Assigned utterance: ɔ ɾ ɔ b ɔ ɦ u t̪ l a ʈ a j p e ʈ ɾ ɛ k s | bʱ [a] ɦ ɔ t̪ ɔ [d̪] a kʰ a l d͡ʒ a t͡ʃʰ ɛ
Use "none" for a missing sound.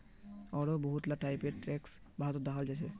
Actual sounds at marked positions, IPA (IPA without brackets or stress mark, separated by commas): a, d̪